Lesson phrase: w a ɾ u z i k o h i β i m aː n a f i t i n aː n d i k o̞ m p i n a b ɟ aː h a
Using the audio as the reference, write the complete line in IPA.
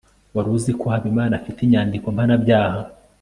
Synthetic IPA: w a ɾ u z i k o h a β i m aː n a f i t i ɲ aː n d i k o̞ m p a n a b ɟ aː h a